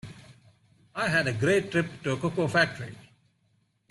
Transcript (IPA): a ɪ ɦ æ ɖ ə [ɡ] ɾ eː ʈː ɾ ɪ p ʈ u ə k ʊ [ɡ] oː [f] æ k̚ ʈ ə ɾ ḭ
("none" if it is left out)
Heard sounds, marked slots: ɡ, k, f

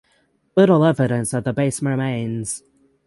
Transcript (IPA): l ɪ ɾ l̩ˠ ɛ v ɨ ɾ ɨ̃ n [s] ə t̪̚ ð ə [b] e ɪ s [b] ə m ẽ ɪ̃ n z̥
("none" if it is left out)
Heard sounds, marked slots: s, b, m

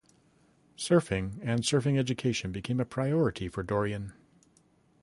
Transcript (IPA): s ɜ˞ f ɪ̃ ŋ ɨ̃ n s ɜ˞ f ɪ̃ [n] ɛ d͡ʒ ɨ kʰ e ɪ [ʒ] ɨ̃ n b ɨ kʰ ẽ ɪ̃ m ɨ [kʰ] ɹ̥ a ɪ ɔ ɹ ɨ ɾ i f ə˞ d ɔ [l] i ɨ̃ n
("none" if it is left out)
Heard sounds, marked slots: ŋ, ʃ, pʰ, ɹ

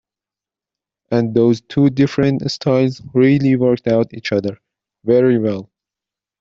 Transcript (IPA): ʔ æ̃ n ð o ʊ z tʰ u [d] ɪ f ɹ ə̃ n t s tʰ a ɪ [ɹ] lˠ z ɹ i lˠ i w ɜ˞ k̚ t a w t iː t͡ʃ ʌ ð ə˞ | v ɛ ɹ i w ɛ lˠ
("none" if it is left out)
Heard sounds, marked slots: d, none

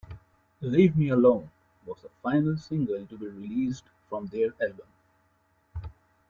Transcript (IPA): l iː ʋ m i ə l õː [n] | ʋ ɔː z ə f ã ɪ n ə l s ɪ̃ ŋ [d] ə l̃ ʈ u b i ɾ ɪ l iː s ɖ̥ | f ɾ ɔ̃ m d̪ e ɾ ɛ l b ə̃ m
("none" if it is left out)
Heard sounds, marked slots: n, ɡ

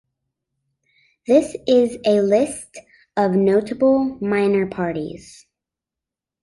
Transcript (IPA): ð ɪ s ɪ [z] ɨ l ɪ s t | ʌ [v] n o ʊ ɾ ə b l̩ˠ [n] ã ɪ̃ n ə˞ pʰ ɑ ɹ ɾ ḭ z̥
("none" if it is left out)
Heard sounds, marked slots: z, v, m

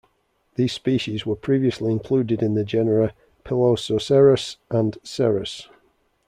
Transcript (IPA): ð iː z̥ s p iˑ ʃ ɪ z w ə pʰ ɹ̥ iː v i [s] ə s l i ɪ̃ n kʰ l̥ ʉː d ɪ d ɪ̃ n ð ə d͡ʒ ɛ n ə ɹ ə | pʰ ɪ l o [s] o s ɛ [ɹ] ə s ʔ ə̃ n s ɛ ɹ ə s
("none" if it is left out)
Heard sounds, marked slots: none, s, ɹ

